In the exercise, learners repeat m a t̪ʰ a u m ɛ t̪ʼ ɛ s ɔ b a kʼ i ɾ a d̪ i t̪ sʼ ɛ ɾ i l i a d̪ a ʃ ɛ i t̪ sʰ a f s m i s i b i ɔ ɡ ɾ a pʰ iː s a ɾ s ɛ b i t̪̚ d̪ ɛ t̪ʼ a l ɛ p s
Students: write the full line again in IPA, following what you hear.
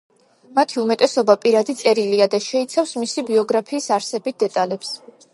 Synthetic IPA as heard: m a t̪ʰ i u m ɛ t̪ʼ ɛ s ɔ b a pʼ i ɾ a d̪ i t̪ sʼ ɛ ɾ i l i a d̪ a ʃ ɛ i t̪ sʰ a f s m i s i b i ɔ ɡ ɾ a pʰ iː s a ɾ s ɛ b i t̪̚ d̪ ɛ t̪ʼ a l ɛ p s